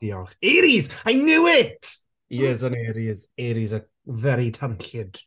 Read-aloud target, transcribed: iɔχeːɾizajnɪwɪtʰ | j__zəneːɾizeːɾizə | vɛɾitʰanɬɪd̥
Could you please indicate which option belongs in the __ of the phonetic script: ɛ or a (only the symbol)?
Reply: ɛ